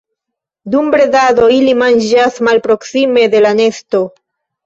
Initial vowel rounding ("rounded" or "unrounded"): rounded